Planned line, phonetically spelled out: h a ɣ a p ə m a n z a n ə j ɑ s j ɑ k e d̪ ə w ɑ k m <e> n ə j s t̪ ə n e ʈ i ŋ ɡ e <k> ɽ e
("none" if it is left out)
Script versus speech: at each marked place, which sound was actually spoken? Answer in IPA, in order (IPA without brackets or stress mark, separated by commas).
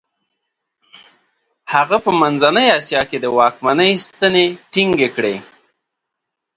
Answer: a, k